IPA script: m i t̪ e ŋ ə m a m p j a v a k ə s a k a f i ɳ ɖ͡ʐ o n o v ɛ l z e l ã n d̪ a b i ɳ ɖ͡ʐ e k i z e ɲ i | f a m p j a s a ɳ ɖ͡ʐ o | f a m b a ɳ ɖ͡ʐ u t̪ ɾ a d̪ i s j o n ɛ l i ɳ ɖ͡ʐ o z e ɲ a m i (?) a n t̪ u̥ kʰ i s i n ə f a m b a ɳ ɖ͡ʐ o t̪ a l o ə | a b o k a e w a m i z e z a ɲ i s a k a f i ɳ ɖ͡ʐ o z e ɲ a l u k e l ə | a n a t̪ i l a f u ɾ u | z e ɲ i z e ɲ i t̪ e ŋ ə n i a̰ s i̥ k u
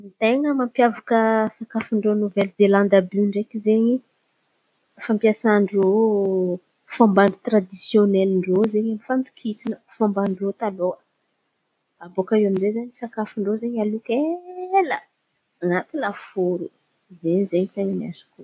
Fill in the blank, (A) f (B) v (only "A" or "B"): A